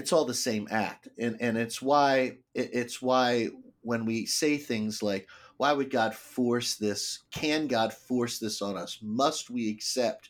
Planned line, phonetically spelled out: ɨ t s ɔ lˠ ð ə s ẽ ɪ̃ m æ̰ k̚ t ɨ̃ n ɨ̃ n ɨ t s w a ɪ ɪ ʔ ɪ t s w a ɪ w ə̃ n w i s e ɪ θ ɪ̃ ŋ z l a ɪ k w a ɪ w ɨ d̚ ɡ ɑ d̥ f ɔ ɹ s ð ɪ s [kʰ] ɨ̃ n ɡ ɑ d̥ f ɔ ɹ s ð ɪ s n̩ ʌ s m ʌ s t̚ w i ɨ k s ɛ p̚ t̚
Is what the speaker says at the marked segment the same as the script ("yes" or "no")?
yes